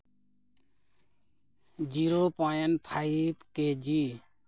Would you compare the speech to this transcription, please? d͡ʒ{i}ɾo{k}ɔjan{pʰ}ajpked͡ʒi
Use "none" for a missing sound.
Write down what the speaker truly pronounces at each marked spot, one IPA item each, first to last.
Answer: i, p, pʰ

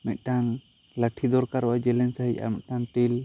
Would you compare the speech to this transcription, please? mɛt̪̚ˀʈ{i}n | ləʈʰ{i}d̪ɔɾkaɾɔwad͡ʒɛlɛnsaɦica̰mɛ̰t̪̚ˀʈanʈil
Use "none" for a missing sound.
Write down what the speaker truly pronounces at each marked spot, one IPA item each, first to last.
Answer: a, i

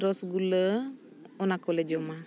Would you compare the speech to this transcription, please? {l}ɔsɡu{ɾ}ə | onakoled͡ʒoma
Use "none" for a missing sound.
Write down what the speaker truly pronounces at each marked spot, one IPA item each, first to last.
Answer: ɾ, l

